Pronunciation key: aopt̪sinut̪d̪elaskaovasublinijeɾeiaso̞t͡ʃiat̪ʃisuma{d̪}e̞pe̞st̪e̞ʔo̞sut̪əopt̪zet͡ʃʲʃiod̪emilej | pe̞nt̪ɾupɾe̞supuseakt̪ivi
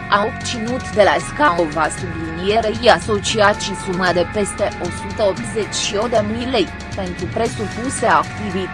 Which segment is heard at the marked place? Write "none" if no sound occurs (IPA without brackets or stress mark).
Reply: d̪